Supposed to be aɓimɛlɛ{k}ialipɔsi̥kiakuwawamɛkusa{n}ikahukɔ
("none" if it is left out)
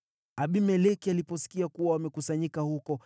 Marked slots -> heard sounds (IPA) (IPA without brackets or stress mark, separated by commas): k, ɲ